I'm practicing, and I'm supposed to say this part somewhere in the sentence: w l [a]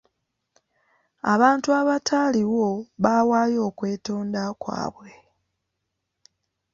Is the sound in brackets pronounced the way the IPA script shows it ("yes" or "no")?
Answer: no